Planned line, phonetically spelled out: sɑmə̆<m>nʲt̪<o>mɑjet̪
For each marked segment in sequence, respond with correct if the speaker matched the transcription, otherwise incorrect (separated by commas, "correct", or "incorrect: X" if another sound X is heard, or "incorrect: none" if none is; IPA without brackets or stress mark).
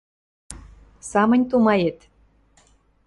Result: incorrect: none, incorrect: u